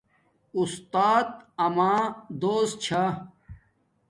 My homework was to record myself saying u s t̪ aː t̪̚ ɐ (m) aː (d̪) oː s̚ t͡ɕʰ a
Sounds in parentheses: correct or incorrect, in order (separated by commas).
correct, correct